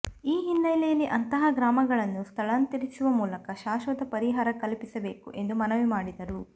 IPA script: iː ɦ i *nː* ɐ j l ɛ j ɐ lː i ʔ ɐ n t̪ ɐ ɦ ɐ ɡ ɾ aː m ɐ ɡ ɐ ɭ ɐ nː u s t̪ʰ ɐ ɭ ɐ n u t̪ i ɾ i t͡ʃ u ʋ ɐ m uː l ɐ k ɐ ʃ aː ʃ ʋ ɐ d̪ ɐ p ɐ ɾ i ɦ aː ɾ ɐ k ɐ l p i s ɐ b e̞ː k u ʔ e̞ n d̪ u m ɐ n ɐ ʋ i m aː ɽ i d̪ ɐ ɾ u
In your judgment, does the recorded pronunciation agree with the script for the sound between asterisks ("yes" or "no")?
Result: yes